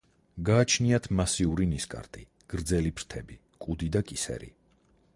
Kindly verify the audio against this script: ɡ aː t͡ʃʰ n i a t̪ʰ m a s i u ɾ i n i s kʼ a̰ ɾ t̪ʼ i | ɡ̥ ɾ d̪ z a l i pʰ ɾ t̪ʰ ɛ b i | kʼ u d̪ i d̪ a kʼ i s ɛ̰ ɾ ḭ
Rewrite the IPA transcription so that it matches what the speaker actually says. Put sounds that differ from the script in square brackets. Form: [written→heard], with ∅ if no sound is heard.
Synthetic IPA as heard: ɡ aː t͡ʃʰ n i a t̪ʰ m a s i u ɾ i n i s kʼ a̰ ɾ t̪ʼ i | ɡ̥ ɾ d̪ z [a→ɛ] l i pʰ ɾ t̪ʰ ɛ b i | kʼ u d̪ i d̪ a kʼ i s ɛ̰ ɾ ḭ